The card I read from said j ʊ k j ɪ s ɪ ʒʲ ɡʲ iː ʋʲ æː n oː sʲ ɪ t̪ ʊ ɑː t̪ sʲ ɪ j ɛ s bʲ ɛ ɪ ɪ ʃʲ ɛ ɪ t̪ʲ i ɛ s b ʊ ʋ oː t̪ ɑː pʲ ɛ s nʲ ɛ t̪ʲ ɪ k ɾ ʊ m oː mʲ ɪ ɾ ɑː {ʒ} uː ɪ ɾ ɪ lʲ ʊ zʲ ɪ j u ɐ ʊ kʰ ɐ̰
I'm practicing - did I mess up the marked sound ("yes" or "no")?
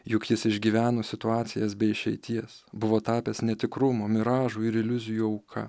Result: no